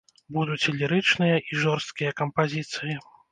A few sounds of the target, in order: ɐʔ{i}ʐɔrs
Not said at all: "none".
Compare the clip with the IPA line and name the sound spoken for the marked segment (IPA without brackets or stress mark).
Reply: i